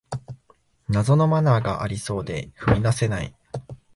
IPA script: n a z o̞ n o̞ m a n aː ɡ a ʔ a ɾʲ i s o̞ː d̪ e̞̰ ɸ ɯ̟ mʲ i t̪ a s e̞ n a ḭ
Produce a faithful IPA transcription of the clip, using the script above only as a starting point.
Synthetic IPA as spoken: n a z o̞ n o̞ m a n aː ɡ a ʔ a ɾʲ i s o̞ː d̪ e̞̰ ɸ ɯ̟ mʲ i d̪ a s e̞ n a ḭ